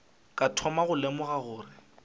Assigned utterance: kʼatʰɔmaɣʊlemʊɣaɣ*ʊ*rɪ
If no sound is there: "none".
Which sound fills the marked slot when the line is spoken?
ʊː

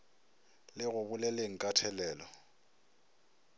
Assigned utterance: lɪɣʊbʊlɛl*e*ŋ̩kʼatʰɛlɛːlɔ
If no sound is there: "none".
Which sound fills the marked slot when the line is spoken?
e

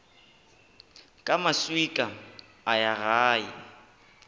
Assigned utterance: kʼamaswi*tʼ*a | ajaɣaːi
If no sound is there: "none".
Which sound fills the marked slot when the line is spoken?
kʼ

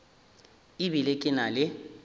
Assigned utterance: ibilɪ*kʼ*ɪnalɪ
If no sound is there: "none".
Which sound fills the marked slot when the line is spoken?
kʼ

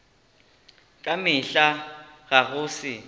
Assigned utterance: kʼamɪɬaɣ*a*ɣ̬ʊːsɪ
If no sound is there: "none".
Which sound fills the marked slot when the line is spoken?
a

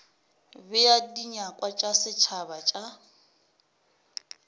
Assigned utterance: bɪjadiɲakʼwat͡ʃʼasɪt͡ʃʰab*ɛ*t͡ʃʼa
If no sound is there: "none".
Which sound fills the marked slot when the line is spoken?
a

